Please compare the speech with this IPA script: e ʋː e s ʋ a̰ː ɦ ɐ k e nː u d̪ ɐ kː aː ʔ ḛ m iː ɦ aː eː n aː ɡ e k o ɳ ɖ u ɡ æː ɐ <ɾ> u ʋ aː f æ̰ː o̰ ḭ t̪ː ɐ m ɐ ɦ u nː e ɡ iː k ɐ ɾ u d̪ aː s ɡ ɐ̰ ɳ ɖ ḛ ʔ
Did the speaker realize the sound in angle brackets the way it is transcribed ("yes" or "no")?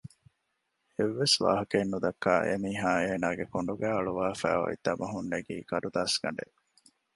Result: no